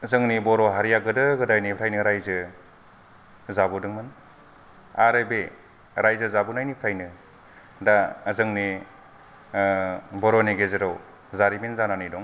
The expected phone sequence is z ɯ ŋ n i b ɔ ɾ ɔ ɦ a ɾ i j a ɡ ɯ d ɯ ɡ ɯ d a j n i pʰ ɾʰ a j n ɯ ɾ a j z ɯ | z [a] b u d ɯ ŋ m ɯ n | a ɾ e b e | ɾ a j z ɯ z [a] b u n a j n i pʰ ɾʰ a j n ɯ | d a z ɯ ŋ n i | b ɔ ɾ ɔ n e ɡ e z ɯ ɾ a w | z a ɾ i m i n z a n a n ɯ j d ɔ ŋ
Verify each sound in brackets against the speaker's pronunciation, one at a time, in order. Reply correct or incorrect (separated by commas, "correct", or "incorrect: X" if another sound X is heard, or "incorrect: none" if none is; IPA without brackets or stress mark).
correct, correct